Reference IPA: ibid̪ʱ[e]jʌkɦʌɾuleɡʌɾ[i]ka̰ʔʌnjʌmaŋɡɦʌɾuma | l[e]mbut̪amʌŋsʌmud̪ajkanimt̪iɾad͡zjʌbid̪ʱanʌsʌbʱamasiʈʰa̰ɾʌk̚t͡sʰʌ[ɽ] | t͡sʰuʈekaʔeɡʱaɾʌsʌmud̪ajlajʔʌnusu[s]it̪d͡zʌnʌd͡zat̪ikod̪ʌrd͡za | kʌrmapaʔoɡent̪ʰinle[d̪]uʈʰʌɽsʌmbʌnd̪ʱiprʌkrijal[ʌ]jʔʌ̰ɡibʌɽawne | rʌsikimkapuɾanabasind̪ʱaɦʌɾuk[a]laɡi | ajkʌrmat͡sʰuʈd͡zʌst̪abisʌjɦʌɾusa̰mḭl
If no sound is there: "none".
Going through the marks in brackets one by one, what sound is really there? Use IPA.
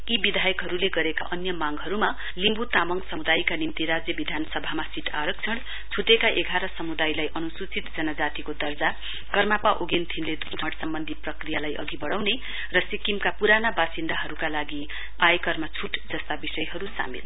a, e, i, ɽ, t͡s, d̪, a, a

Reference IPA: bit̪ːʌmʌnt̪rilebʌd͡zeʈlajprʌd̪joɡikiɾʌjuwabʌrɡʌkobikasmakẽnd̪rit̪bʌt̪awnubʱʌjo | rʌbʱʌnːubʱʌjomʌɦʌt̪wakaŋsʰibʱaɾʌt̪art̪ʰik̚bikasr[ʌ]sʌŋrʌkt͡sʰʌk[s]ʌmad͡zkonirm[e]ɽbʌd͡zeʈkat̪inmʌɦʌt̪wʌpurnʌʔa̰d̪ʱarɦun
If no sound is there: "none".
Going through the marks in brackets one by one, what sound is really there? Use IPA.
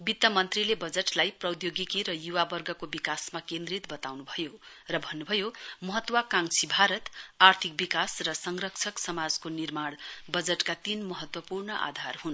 ʌ, s, a

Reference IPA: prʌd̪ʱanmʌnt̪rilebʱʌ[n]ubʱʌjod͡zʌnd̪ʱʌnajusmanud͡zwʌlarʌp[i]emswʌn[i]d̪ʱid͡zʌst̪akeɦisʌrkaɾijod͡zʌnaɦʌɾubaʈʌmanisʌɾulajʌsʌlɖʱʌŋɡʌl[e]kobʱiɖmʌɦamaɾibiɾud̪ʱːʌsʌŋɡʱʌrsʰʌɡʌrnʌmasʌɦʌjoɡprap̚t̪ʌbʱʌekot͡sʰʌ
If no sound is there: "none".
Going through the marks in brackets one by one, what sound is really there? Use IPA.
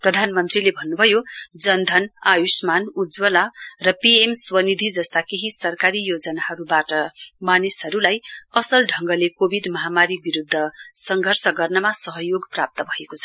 nː, i, i, e

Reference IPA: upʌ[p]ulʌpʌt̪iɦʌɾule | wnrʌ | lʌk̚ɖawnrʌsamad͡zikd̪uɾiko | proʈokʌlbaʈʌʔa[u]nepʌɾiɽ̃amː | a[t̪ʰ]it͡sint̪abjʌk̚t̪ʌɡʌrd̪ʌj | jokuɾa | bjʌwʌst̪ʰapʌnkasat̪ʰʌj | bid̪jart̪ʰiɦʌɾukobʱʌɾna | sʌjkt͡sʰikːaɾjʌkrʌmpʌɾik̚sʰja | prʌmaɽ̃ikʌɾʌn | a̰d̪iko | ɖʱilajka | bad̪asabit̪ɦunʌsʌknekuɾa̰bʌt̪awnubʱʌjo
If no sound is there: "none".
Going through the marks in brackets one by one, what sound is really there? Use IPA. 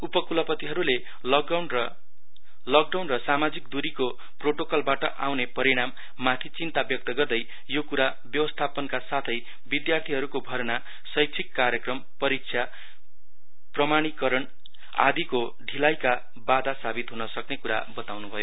k, w, t̪ʰ

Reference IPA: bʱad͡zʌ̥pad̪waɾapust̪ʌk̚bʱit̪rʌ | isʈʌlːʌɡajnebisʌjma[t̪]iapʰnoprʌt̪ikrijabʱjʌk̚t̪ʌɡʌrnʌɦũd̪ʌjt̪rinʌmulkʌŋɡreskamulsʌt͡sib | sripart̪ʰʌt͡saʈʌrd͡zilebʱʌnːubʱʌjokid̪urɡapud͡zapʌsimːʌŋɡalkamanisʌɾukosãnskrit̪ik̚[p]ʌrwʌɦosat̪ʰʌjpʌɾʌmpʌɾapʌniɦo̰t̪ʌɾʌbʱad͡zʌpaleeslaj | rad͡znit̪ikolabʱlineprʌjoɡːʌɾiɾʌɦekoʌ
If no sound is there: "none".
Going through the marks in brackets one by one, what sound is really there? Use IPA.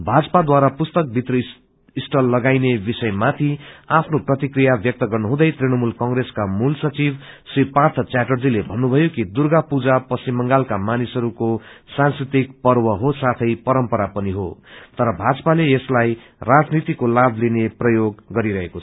t̪ʰ, p

